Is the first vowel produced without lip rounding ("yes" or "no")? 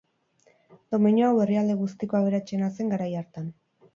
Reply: no